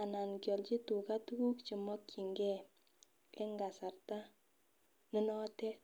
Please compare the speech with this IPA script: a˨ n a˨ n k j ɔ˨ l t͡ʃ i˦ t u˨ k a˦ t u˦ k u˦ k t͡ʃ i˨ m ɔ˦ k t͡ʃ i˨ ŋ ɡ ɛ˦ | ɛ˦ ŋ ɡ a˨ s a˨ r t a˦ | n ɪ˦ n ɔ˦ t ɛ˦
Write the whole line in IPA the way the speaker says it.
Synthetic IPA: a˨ n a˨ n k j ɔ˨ l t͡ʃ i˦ t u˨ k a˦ t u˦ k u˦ k t͡ʃ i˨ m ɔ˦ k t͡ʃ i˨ ŋ ɡ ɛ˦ | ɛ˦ ŋ ɡ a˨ s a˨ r t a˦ | n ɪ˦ n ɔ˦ t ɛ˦